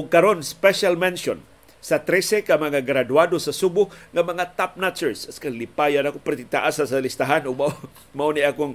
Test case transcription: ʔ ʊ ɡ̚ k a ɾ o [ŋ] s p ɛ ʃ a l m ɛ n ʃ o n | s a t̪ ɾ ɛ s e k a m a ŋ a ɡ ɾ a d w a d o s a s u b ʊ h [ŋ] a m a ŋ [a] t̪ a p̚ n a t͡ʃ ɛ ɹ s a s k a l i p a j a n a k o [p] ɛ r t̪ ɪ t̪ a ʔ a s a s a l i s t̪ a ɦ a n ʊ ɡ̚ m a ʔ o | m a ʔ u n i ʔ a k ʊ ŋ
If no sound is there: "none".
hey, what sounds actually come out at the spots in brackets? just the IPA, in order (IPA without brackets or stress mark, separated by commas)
n, ŋ, a, p